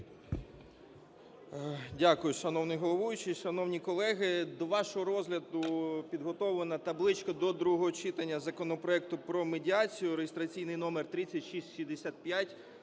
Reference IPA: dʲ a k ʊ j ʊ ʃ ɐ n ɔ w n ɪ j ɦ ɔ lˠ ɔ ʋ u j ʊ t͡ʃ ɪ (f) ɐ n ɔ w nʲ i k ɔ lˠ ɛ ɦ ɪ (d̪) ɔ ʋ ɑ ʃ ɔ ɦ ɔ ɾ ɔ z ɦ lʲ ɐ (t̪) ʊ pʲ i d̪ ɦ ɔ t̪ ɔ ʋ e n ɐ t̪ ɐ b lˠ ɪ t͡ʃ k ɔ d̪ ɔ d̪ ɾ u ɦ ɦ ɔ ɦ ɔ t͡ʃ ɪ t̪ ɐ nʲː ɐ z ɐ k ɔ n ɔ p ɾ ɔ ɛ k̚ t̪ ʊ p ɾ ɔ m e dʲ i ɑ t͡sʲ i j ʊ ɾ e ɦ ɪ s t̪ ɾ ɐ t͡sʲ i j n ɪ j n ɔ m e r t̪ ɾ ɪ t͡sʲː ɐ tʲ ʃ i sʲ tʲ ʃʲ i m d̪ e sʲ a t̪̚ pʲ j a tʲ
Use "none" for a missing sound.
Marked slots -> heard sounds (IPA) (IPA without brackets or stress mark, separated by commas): ʃ, d̪, d̪